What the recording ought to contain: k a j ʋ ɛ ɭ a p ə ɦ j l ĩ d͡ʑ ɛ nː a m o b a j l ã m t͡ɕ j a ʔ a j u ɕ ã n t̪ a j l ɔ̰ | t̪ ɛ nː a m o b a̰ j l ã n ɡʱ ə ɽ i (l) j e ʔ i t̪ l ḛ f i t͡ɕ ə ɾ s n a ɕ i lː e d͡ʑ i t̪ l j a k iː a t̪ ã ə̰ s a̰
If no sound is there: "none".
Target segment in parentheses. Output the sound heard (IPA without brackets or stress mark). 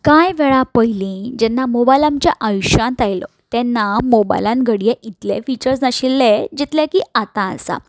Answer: none